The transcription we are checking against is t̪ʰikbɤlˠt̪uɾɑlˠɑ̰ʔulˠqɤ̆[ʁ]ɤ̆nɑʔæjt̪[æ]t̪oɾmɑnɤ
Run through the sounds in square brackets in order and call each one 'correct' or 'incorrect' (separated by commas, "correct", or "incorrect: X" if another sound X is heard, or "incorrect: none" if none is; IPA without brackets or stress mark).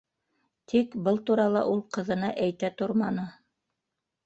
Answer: incorrect: ð, correct